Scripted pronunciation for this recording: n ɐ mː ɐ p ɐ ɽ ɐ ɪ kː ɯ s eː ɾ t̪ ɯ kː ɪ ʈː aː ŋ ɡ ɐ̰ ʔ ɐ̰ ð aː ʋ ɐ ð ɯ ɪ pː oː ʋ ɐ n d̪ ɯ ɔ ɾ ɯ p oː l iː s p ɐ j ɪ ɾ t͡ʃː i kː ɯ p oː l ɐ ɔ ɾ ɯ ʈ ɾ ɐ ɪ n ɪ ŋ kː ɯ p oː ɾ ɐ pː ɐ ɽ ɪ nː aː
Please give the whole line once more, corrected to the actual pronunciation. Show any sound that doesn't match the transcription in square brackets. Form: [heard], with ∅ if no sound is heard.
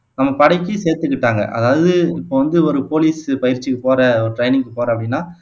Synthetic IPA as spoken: n ɐ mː ɐ p ɐ ɽ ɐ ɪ kː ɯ s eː ɾ t̪ ɯ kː ɪ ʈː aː ŋ ɡ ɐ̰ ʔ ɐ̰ ð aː ʋ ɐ ð ɯ ɪ pː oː ʋ ɐ n d̪ ɯ ɔ ɾ ɯ p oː l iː s p ɐ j ɪ ɾ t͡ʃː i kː ɯ p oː [ɾ] ɐ ɔ ɾ ɯ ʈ ɾ ɐ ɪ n ɪ ŋ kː ɯ p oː ɾ ɐ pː ɐ ɽ ɪ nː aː